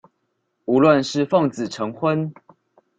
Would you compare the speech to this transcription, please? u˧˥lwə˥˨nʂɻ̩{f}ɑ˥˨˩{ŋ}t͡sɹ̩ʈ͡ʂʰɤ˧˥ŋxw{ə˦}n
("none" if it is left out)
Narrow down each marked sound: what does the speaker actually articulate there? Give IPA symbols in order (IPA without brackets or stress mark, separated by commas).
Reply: f, ŋ, ə˦